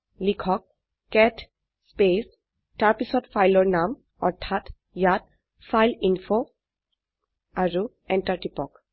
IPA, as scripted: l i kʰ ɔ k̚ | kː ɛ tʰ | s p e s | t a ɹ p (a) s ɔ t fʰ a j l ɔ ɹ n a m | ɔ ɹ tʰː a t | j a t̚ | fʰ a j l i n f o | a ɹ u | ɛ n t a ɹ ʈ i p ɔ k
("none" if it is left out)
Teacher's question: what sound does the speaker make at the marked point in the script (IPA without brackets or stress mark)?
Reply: i